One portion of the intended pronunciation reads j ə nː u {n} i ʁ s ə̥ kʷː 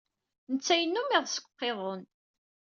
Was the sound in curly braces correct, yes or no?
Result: no